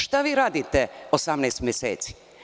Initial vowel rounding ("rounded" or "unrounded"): unrounded